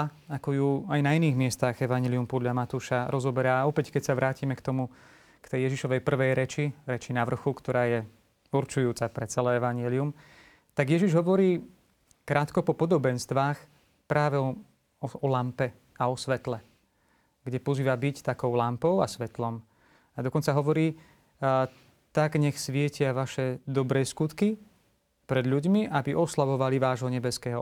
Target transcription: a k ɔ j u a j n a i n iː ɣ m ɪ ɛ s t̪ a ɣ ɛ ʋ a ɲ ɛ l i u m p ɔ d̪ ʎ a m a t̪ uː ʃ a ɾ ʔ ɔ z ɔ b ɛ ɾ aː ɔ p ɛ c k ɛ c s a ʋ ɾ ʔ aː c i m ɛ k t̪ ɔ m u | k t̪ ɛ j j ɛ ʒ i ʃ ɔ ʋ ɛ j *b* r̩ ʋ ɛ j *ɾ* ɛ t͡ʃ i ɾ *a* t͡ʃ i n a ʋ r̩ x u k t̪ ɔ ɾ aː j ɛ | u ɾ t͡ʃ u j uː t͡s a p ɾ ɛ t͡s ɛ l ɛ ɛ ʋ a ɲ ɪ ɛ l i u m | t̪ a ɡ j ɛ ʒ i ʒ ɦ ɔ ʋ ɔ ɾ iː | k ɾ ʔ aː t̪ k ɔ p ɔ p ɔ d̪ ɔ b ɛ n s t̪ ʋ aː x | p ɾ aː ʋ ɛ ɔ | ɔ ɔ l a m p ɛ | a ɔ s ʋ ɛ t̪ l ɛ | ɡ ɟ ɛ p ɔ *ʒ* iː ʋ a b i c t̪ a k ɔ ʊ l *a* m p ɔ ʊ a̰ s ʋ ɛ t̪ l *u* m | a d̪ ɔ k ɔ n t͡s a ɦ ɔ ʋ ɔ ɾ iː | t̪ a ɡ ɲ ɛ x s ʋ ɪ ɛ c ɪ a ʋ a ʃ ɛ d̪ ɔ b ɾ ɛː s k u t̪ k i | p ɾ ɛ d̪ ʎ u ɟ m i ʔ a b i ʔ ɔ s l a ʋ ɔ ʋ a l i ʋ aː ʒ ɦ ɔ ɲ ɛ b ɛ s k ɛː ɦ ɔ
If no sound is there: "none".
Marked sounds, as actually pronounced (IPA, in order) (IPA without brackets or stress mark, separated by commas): p, ɾ, ɛ, z, a, ɔ